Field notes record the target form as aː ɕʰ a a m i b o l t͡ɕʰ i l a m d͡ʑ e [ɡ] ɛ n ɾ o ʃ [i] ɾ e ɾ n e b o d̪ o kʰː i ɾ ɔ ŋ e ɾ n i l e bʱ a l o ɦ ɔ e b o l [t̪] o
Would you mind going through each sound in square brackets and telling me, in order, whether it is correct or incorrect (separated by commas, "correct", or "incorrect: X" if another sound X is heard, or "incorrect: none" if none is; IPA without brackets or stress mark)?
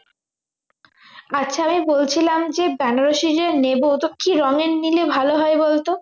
incorrect: b, correct, correct